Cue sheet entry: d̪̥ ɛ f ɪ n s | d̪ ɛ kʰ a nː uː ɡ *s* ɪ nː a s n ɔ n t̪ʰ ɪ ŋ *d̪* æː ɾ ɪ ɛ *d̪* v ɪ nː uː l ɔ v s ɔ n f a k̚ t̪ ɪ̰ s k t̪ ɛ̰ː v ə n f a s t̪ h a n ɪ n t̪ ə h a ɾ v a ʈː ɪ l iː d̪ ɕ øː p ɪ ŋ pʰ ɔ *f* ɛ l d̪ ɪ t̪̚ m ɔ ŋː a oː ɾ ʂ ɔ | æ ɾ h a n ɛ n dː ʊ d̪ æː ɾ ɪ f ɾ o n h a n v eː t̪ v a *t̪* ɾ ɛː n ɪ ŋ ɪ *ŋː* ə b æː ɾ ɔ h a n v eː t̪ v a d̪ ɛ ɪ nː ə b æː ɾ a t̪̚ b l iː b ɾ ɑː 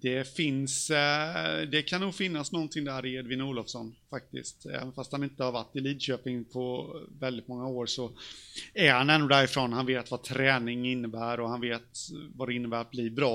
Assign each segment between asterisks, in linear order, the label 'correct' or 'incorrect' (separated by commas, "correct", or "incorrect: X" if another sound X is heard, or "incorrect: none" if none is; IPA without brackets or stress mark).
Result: incorrect: f, correct, correct, incorrect: v, incorrect: t̪ʰ, incorrect: nː